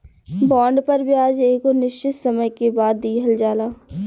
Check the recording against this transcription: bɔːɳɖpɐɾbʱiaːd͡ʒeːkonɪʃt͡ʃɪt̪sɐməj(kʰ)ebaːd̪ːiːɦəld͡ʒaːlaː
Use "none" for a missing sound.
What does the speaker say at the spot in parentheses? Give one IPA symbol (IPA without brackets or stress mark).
k